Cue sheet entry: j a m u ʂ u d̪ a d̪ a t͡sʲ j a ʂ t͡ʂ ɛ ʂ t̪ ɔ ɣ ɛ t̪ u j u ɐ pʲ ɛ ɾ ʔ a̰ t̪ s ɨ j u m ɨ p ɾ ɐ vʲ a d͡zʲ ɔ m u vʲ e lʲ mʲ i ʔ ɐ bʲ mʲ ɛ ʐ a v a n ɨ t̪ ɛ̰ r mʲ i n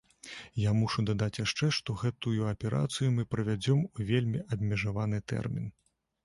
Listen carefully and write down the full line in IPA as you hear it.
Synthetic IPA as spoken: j a m u ʂ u d̪ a d̪ a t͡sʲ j a ʂ t͡ʂ ɛ ʂ t̪ ɔ ɣ ɛ t̪ u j u ɐ pʲ ɛ ɾ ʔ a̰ t̪ s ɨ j u m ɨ p ɾ ɐ vʲ a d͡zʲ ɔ m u vʲ e lʲ mʲ i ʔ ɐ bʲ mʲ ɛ ʐ a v a n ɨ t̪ ɛ̰ r mʲ i n